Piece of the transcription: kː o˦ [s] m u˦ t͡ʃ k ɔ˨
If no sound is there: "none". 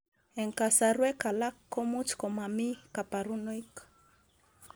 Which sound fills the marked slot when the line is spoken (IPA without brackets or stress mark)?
none